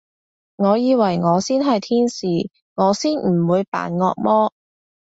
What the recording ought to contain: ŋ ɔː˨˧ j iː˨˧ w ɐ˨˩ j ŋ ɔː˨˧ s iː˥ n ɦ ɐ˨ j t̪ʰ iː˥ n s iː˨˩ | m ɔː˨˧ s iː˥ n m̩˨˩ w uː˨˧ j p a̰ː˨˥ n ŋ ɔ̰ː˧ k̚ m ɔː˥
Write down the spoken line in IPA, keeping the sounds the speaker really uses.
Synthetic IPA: ŋ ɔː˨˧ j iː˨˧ w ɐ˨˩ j ŋ ɔː˨˧ s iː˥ n ɦ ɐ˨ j t̪ʰ iː˥ n s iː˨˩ | ŋ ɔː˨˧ s iː˥ n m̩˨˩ w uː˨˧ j p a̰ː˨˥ n ŋ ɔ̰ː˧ k̚ m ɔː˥